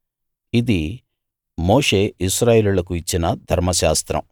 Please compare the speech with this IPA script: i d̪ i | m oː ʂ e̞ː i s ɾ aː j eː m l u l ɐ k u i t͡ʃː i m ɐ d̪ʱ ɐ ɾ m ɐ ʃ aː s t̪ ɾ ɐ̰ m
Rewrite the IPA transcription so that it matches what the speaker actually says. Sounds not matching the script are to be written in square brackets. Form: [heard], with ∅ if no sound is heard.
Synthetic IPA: i d̪ i | m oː ʂ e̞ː i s ɾ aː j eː [∅] l u l ɐ k u i t͡ʃː i [n] ɐ d̪ʱ ɐ ɾ m ɐ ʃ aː s t̪ ɾ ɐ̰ m

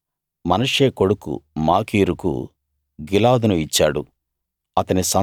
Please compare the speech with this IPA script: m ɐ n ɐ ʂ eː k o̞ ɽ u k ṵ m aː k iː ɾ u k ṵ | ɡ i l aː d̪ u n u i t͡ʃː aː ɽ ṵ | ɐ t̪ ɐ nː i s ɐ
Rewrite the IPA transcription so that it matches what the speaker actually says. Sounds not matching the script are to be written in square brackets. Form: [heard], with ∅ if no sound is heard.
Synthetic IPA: m ɐ n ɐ ʂ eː k o̞ ɽ u k ṵ m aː k iː ɾ u k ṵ | ɡ i l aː d̪ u n u i t͡ʃː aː ɽ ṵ | ɐ t̪ ɐ [n] i s ɐ

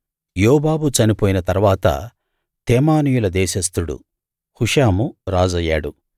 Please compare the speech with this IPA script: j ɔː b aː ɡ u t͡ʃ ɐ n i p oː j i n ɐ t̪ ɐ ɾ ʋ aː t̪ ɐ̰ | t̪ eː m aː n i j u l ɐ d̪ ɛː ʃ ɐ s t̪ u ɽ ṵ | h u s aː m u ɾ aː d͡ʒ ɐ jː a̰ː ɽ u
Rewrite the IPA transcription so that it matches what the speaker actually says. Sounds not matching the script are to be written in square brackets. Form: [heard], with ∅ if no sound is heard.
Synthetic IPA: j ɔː b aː [b] u t͡ʃ ɐ n i p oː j i n ɐ t̪ ɐ ɾ ʋ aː t̪ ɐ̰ | t̪ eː m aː n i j u l ɐ d̪ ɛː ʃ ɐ s t̪ u ɽ ṵ | h u [ʂ] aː m u ɾ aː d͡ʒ ɐ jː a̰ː ɽ u

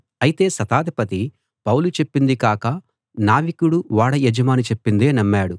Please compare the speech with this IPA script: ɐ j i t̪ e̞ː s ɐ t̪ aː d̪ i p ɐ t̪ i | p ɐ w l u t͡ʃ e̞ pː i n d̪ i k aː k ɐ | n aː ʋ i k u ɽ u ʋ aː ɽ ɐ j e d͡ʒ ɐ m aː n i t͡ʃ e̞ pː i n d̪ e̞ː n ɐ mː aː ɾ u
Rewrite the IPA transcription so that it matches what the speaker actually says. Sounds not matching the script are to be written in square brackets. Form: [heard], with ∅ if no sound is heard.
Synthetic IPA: ɐ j i t̪ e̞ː s ɐ t̪ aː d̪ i p ɐ t̪ i | p ɐ w l u t͡ʃ e̞ pː i n d̪ i k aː k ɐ | n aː ʋ i k u ɽ u ʋ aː ɽ ɐ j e d͡ʒ ɐ m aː n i t͡ʃ e̞ pː i n d̪ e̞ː n ɐ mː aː [ɽ] u

